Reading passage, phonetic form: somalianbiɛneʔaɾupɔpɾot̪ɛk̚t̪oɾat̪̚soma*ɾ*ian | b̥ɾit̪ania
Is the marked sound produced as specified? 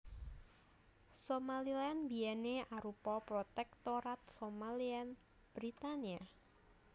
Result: no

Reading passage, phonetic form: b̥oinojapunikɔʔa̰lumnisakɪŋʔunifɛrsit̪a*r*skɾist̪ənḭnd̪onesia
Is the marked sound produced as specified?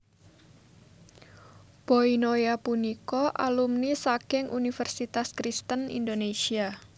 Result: no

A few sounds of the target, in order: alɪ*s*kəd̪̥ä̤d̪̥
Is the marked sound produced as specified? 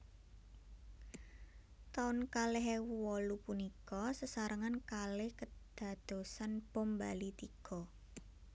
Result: no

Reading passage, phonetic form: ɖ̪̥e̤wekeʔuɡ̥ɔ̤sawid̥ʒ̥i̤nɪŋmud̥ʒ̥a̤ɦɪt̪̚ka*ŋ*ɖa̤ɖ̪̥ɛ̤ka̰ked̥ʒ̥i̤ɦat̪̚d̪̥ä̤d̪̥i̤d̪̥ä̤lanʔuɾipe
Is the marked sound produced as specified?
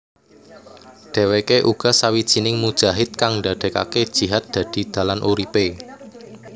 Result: yes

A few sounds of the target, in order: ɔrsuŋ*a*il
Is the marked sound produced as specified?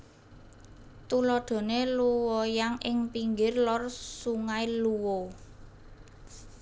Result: yes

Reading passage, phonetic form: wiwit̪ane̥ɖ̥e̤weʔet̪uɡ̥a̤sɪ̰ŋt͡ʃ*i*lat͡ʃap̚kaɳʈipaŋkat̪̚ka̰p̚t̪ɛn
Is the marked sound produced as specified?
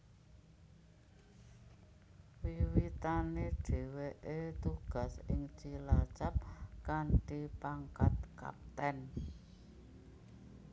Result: yes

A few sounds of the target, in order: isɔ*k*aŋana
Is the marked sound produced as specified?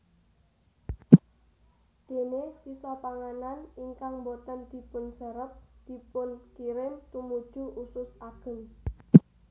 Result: no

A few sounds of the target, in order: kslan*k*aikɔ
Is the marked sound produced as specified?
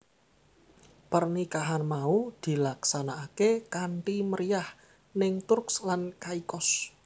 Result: yes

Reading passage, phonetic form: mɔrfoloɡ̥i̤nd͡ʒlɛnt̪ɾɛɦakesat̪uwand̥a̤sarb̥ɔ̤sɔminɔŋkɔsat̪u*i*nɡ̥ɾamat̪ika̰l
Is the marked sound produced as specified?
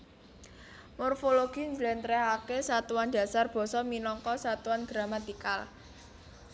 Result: no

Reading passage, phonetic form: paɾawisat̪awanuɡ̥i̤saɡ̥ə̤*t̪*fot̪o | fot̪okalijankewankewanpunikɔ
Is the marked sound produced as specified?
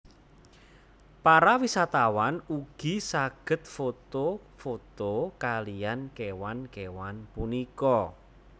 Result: yes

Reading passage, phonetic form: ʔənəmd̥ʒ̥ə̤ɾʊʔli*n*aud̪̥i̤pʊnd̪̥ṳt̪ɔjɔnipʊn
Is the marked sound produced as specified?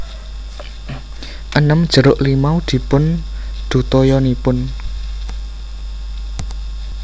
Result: no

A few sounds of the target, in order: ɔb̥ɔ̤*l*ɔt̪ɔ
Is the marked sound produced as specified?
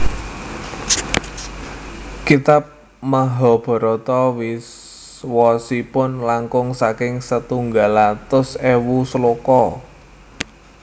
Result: no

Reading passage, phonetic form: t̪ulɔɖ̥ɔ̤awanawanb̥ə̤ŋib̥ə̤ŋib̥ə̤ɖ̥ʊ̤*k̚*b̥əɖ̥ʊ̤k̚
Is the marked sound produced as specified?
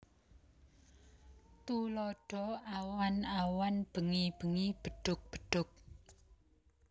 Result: yes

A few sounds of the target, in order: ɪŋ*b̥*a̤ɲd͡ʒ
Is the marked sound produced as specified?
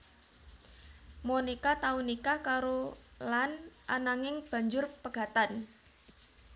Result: yes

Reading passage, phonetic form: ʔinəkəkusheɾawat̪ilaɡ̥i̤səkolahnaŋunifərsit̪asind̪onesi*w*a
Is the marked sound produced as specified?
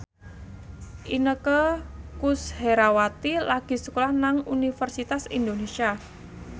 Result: no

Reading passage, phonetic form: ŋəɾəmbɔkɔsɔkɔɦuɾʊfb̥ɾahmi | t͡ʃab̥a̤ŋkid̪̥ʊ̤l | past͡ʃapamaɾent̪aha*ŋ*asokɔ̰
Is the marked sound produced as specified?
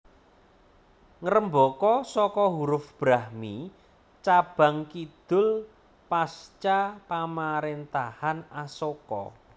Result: no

